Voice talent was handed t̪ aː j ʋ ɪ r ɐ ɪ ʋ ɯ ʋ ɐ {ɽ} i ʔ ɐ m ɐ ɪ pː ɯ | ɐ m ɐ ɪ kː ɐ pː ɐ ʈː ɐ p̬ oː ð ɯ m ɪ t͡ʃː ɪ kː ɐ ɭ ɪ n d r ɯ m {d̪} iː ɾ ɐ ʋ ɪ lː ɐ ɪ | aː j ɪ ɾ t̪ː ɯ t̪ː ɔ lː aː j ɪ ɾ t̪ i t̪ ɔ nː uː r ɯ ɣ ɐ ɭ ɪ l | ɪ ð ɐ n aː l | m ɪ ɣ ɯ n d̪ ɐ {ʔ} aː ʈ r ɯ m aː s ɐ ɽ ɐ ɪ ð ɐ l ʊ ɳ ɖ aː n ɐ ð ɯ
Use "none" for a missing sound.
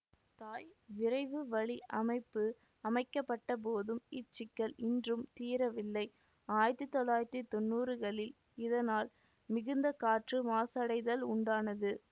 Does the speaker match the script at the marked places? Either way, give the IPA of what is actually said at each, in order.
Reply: ɭ, t̪, k

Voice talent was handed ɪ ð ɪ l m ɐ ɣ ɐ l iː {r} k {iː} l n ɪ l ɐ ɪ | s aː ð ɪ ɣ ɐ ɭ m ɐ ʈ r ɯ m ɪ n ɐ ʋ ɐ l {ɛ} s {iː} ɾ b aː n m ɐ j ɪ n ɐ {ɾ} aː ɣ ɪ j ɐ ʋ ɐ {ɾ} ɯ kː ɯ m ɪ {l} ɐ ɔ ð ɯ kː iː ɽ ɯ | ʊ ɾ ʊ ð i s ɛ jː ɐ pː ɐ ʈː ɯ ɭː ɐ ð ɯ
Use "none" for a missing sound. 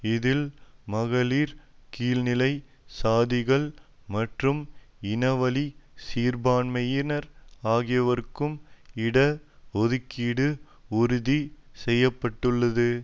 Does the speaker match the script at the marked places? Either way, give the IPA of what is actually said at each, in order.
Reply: ɾ, iː, i, iː, ɾ, ɾ, ɽ

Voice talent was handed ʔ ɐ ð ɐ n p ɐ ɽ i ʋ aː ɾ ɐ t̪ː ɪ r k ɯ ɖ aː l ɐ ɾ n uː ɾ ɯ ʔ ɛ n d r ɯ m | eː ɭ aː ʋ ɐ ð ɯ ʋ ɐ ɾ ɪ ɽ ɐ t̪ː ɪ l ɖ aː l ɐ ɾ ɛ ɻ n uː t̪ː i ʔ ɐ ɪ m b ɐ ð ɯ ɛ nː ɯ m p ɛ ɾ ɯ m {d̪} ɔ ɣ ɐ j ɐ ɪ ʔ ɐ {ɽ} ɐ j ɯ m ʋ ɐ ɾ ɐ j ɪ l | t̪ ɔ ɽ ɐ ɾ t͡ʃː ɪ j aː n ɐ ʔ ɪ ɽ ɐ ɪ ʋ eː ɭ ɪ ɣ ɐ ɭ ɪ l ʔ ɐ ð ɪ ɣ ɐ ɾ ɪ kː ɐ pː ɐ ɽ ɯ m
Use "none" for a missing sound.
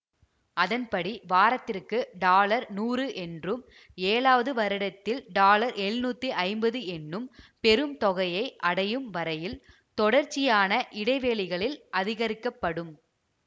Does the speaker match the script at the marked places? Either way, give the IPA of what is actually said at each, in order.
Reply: t̪, ɽ

